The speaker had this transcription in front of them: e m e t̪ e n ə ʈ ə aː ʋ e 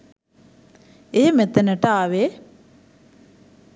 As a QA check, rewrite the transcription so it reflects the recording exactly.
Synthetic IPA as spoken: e m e t̪ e n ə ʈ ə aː ʋ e